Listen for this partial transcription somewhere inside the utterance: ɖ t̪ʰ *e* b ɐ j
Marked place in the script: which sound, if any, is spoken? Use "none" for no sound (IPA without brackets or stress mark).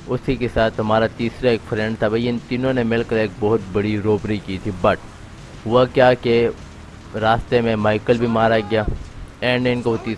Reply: a